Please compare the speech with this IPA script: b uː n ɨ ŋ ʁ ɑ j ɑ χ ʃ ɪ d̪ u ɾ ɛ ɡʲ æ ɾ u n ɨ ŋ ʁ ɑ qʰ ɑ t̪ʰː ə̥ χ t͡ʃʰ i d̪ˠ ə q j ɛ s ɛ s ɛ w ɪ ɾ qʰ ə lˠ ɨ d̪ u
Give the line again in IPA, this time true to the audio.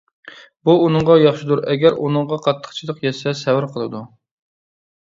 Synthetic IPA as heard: b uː n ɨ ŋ ʁ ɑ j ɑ χ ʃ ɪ d̪ u ɾ ɛ ɡʲ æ ɾ u n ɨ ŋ ʁ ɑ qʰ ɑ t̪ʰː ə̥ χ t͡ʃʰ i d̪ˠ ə q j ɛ s ɛ s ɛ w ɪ ɾ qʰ ə lˠ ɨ d̪ u